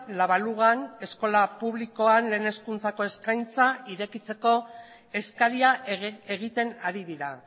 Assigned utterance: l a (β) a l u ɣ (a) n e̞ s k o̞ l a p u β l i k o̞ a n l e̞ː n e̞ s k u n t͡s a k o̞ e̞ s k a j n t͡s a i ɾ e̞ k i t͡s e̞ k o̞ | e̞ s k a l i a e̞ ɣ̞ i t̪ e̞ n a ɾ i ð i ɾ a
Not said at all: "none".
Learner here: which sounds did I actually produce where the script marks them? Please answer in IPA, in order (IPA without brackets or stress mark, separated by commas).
β, a